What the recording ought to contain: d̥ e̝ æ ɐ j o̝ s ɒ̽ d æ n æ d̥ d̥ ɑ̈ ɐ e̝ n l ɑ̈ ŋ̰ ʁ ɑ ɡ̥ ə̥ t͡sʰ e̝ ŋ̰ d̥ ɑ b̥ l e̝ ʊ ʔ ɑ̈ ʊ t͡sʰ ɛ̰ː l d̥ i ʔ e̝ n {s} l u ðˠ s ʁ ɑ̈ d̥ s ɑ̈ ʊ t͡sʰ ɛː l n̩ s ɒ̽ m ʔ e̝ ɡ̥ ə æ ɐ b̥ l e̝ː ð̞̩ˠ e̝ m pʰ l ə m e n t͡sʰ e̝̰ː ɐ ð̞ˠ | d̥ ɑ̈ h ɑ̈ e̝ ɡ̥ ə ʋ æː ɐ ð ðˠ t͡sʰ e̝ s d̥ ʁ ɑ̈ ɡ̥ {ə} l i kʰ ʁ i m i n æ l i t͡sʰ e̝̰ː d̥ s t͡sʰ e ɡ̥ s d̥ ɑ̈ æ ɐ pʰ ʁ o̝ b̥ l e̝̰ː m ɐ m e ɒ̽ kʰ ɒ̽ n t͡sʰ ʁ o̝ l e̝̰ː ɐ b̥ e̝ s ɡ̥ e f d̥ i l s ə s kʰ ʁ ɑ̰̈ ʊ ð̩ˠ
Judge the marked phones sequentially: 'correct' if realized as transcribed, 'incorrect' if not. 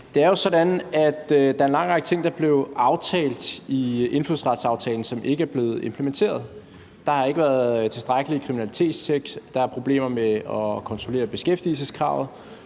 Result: incorrect, correct

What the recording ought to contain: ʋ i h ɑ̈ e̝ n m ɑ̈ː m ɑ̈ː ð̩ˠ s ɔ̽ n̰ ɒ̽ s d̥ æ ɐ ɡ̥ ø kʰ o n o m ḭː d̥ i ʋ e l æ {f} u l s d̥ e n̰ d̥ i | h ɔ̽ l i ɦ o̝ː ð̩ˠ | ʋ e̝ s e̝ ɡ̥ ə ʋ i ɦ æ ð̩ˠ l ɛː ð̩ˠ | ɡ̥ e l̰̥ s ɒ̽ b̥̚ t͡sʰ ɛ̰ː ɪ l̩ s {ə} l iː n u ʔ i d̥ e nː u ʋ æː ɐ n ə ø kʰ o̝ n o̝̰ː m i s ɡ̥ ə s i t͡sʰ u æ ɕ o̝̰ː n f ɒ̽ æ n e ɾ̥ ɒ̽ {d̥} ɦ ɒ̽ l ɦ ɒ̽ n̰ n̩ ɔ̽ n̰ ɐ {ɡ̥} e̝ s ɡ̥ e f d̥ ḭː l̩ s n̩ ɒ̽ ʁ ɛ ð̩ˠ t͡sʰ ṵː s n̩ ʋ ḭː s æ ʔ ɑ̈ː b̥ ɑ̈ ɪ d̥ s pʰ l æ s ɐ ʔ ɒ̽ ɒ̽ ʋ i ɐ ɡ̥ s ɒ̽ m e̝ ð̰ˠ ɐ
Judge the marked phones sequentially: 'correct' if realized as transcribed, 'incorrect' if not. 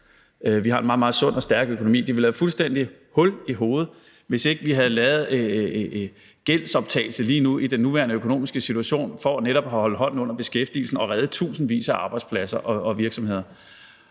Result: correct, correct, incorrect, incorrect

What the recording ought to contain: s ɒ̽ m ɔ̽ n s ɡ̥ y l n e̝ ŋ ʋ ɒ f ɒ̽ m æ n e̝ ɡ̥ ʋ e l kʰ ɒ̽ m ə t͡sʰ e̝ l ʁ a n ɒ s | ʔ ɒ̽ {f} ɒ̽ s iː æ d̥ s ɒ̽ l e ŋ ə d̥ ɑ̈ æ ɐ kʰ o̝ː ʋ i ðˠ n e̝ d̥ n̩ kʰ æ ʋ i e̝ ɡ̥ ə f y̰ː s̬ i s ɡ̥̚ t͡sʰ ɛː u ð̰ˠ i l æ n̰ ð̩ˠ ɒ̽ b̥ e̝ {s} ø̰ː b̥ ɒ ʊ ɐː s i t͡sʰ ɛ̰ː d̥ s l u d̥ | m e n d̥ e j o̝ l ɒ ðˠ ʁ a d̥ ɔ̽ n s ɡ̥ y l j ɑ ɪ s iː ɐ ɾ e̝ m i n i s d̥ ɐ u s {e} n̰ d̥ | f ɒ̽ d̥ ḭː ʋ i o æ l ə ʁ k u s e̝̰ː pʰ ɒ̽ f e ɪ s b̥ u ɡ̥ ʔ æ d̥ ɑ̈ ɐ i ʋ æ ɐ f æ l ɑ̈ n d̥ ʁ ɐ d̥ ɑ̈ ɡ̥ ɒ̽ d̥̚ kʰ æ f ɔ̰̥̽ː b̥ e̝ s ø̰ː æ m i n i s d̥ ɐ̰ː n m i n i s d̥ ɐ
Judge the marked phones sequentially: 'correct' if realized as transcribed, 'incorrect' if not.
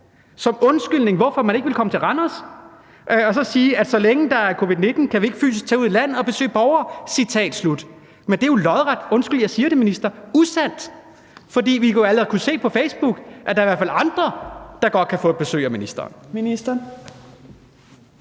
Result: incorrect, correct, incorrect

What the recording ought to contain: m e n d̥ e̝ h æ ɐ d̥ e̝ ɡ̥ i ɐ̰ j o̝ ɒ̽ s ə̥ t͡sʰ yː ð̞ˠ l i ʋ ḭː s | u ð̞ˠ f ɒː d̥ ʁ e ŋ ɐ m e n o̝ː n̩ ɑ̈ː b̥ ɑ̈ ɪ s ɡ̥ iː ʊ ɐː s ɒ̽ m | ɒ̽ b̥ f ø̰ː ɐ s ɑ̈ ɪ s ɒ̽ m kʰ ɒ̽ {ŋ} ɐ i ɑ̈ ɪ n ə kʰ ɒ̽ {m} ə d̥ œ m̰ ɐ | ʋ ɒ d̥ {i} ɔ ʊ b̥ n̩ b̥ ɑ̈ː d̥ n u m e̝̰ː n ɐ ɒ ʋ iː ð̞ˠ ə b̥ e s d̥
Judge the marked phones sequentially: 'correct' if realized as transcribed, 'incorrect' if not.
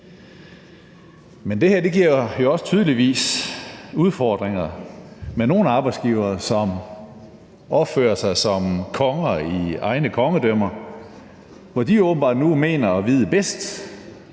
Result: correct, incorrect, correct

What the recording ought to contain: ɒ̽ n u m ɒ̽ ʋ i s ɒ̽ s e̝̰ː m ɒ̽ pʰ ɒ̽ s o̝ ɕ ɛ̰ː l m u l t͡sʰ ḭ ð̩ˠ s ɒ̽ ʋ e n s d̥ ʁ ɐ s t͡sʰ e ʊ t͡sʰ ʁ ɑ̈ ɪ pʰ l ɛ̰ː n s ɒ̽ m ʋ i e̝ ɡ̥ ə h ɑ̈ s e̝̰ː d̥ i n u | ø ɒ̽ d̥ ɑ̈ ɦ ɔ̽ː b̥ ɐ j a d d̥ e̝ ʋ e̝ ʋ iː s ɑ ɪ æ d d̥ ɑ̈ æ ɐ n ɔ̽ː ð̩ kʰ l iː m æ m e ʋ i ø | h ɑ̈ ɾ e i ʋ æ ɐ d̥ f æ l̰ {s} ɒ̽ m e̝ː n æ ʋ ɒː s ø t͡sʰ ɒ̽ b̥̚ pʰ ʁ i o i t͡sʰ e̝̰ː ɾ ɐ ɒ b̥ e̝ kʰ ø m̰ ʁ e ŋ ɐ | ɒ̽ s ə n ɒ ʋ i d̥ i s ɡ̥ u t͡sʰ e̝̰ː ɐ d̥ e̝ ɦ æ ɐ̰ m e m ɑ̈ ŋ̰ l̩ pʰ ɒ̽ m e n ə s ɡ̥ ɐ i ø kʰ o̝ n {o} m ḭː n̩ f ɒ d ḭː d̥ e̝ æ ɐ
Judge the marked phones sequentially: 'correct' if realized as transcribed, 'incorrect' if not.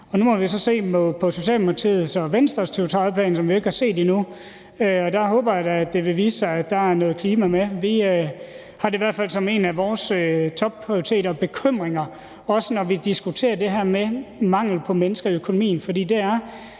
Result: correct, correct

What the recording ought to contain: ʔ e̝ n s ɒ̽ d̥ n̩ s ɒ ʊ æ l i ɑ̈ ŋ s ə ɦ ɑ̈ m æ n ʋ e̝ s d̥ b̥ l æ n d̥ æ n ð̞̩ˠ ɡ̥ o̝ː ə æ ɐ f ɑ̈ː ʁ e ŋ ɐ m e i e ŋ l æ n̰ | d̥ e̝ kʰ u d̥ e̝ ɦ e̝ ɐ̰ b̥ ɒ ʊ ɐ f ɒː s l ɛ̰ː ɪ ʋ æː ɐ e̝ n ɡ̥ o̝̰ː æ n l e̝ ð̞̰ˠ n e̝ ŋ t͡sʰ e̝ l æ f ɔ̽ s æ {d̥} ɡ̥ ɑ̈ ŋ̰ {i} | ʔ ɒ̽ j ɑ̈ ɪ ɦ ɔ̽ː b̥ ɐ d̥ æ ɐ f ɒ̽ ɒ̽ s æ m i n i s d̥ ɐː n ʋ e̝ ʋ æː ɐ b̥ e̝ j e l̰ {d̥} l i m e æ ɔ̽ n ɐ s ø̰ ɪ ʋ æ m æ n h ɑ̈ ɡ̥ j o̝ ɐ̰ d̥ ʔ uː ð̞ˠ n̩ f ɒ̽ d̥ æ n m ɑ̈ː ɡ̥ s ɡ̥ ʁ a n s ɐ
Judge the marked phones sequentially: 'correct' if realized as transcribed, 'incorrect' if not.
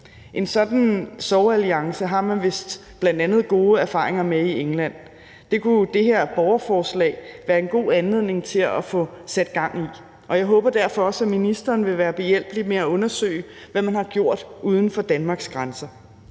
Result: correct, correct, incorrect

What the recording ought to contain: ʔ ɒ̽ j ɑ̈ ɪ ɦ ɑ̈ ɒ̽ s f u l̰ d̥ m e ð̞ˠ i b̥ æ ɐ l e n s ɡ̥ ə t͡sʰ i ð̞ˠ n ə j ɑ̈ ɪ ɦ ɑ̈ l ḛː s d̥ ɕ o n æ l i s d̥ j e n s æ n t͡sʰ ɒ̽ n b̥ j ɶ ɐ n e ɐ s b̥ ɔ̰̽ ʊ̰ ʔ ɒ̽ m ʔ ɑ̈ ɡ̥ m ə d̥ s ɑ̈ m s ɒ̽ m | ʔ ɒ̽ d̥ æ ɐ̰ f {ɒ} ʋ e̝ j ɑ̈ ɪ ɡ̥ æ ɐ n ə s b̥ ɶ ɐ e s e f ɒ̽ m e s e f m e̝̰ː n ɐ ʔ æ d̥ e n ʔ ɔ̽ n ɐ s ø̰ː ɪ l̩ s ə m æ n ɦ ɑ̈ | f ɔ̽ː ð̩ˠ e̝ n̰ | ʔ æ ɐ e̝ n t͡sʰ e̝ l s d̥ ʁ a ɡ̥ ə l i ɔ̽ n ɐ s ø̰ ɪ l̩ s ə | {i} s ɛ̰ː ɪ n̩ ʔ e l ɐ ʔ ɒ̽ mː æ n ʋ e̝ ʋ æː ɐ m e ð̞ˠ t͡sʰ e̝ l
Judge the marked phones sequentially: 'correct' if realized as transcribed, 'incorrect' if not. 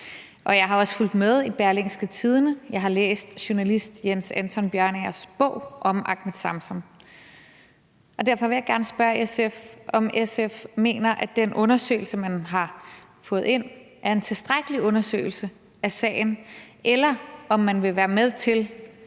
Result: correct, incorrect

